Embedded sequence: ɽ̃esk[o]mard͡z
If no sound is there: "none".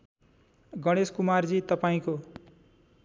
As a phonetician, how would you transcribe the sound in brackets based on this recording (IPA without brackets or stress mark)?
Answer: u